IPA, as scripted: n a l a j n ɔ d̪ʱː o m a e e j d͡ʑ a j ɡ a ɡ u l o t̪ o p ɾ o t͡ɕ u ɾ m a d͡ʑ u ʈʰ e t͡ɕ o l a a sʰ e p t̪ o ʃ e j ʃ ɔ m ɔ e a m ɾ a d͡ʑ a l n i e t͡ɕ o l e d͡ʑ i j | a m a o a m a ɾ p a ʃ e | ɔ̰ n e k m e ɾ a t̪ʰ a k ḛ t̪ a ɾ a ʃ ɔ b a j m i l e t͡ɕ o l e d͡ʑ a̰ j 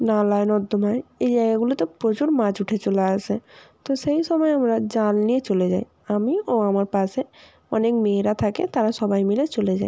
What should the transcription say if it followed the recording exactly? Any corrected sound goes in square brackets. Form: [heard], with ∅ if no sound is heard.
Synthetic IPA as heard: n a l a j n ɔ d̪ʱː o m a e e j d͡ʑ a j ɡ a ɡ u l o t̪ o p ɾ o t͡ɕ u ɾ m a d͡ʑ u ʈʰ e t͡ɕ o l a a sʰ e [∅] t̪ o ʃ e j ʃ ɔ m ɔ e a m ɾ a d͡ʑ a l n i e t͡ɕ o l e d͡ʑ [a] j | a m [i] o a m a ɾ p a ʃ e | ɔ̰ n e k m e ɾ a t̪ʰ a k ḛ t̪ a ɾ a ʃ ɔ b a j m i l e t͡ɕ o l e d͡ʑ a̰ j